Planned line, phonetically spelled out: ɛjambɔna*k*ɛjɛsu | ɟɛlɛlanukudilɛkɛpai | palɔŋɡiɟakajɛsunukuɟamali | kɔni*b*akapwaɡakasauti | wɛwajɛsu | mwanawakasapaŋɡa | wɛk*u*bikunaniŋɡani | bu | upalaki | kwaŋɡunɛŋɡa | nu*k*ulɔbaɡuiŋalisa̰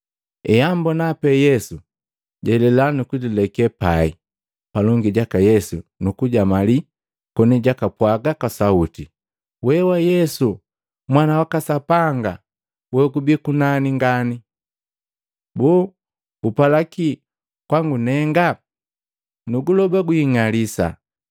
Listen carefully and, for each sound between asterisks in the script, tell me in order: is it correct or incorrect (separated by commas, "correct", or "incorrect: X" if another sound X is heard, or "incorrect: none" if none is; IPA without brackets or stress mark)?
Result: incorrect: p, incorrect: ɟ, correct, incorrect: ɡ